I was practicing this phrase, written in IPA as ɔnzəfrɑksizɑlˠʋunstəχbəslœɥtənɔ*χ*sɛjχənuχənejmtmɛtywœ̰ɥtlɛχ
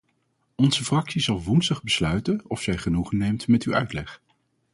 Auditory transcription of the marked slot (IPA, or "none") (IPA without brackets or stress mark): f